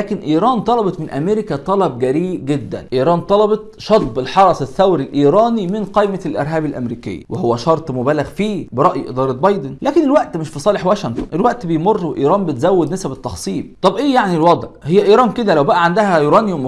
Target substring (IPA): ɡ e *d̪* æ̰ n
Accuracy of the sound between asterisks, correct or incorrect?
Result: incorrect